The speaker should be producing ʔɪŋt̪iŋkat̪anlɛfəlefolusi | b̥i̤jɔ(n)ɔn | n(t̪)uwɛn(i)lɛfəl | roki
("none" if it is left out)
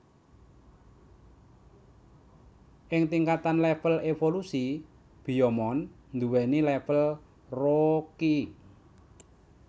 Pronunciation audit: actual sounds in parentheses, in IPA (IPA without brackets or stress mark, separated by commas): m, d̪, i